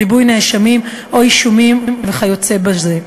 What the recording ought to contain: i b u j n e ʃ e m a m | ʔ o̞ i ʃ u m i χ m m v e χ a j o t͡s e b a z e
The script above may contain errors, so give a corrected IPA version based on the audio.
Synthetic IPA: i b u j n e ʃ a m i m | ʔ o̞ i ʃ u m i m m v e χ a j o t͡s e b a z e